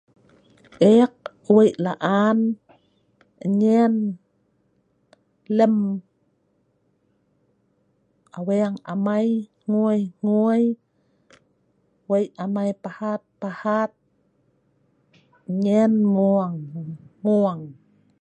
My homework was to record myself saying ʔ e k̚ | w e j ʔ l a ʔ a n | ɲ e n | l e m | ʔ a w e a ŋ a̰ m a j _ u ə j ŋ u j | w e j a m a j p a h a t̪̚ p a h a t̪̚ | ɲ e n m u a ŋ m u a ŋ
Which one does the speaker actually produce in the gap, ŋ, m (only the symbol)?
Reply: ŋ